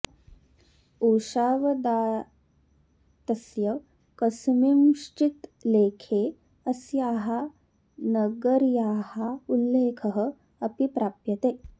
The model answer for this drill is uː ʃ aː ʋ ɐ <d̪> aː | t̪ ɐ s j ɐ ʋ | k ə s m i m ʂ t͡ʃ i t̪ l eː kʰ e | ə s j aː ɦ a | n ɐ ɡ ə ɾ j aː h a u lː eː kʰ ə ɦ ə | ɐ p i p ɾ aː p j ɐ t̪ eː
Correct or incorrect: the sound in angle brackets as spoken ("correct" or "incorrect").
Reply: correct